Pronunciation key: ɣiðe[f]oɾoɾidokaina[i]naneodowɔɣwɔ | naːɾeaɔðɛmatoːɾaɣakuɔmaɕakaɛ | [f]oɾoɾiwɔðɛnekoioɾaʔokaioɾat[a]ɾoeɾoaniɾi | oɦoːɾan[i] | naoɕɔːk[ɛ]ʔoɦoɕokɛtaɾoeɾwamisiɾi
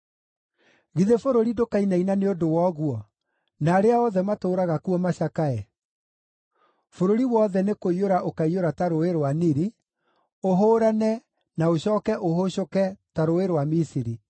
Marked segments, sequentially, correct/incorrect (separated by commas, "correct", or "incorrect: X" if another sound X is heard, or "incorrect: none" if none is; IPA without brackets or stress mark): correct, correct, correct, correct, incorrect: ɛ, correct